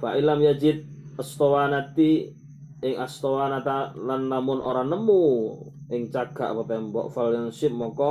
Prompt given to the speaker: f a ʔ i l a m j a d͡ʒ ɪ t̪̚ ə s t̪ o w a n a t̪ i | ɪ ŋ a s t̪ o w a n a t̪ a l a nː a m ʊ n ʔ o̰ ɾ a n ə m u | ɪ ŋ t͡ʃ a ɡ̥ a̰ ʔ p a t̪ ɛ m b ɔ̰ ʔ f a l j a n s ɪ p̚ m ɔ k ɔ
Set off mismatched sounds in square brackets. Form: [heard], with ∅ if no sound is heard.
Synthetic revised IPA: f a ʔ i l a m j a d͡ʒ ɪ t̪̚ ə s t̪ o w a n a t̪ i | ɪ ŋ a s t̪ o w a n a t̪ a l a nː a m ʊ n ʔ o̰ ɾ a n ə m u | ɪ ŋ t͡ʃ a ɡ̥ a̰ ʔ p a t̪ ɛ m b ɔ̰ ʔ f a l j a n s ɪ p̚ m ɔ k ɔ